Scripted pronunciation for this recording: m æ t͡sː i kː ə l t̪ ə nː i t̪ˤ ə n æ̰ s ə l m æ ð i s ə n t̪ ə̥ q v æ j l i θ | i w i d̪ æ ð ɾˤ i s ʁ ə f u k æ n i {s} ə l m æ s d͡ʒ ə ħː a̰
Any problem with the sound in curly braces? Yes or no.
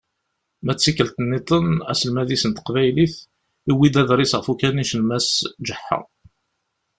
yes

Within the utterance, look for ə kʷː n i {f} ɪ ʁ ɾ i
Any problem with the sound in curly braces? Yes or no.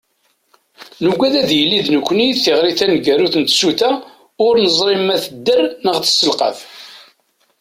yes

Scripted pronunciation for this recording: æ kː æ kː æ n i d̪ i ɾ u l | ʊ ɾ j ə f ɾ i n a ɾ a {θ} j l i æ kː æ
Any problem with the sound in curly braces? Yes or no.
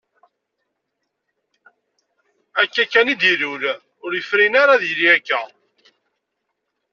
yes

